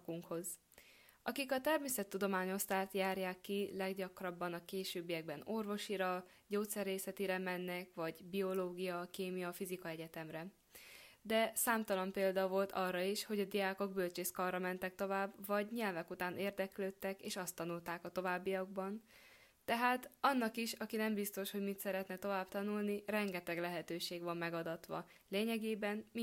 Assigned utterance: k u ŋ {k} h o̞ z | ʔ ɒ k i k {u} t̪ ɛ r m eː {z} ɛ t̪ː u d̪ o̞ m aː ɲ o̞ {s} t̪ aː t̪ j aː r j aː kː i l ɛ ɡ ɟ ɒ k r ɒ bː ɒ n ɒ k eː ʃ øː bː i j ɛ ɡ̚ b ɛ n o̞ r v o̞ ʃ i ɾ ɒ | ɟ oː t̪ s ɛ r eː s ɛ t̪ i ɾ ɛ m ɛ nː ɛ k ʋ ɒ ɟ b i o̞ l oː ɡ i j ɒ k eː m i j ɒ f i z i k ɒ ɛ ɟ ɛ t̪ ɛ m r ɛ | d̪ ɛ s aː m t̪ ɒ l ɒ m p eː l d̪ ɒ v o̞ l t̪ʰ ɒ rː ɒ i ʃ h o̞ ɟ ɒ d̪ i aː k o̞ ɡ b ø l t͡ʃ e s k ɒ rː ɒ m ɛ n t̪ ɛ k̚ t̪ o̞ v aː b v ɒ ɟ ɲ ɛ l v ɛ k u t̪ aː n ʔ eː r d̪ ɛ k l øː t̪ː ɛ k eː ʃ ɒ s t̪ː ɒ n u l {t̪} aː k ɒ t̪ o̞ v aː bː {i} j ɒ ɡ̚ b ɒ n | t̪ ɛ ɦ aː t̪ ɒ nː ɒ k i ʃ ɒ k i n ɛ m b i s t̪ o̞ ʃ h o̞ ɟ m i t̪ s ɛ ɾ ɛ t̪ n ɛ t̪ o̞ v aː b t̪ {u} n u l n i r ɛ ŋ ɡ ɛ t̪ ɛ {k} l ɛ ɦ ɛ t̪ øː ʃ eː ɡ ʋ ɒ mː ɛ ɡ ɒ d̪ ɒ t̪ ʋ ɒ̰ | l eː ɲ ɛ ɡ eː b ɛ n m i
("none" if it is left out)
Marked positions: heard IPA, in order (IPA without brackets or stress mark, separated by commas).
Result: k, ɒ, s, s, t̪, i, ɒ, ɡ